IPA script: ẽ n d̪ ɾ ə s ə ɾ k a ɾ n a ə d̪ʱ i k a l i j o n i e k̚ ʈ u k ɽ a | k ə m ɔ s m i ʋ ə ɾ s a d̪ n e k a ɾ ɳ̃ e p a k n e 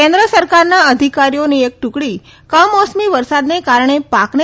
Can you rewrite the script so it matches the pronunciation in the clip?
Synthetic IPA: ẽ n d̪ ɾ ə s ə ɾ k a ɾ n a ə d̪ʱ i k a ɾ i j o n i e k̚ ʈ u k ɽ i | k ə m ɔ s m i ʋ ə ɾ s a d̪ n e k a ɾ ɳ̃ e p a k n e